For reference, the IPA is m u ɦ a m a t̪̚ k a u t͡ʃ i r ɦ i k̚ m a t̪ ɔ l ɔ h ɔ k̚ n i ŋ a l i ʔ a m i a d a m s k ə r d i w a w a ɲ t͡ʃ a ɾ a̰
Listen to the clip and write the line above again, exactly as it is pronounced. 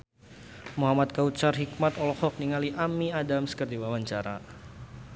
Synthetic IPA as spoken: m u ɦ a m a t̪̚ k a u t͡ʃ a r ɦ i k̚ m a t̪ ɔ l ɔ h ɔ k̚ n i ŋ a l i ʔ a m i a d a m s k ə r d i w a w a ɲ t͡ʃ a ɾ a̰